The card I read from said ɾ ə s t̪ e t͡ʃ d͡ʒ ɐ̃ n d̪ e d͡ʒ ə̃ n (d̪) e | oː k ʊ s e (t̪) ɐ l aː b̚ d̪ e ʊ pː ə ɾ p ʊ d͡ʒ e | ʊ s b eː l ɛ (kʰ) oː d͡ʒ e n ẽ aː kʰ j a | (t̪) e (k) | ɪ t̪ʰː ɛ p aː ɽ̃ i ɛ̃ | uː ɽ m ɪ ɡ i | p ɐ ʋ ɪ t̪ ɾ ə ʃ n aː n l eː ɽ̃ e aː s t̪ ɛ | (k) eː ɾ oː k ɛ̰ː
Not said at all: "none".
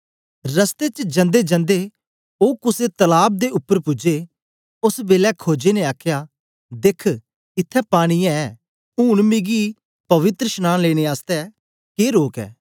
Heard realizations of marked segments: d̪, t̪, kʰ, d̪, kʰ, k

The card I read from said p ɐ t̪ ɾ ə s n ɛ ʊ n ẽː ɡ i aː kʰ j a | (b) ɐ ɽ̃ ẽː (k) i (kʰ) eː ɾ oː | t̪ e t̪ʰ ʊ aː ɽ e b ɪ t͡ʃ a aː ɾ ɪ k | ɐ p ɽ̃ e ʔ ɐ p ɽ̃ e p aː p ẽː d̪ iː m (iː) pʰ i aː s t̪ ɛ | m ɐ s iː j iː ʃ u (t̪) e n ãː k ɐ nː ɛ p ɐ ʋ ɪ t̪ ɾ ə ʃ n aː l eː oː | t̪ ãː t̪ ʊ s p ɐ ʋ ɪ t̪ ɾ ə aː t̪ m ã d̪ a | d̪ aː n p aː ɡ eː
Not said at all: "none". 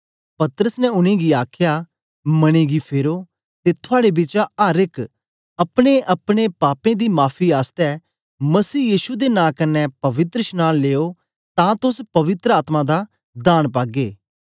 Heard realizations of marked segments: m, ɡ, pʰ, aː, d̪

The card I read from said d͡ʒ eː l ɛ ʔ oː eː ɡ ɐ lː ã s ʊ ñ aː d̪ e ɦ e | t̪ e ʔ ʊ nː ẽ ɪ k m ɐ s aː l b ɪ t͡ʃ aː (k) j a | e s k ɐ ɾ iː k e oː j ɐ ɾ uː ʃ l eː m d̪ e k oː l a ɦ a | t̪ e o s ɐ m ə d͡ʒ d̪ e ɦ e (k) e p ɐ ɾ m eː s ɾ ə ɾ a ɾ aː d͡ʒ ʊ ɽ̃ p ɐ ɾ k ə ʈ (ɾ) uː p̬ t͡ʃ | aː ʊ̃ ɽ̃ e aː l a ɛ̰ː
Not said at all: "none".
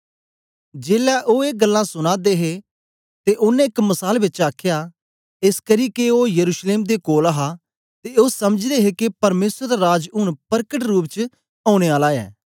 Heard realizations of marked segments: kʰ, k, ɾ

